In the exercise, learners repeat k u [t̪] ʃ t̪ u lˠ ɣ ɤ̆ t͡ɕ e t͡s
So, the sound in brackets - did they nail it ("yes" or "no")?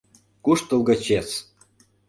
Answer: no